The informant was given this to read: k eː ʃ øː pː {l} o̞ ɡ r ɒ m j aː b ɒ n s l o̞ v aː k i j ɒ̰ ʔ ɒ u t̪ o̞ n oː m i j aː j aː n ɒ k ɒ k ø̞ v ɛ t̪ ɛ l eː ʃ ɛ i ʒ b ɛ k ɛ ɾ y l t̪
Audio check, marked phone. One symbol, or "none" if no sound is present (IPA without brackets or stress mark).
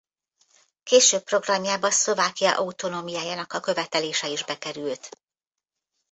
r